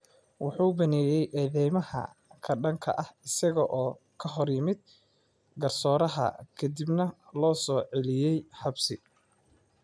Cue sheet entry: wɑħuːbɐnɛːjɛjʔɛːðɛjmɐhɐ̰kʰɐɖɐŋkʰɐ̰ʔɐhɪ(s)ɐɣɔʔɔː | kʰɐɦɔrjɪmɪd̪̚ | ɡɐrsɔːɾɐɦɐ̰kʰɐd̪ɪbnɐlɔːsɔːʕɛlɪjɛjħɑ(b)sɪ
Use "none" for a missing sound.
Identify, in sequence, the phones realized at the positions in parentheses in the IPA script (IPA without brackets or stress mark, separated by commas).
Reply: s, b